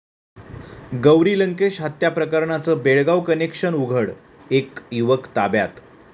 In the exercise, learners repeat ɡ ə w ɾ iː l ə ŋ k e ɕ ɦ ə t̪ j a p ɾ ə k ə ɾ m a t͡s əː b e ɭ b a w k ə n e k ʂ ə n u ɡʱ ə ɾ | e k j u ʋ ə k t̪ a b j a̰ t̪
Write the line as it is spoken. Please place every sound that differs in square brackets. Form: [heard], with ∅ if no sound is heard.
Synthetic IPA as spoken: ɡ ə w ɾ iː l ə ŋ k e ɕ ɦ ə t̪ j a p ɾ ə k ə ɾ [ɳ] a t͡s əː b e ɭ [ɡ] a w k ə n e k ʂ ə n u ɡʱ ə [ɽ] | e k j u ʋ ə k t̪ a b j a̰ t̪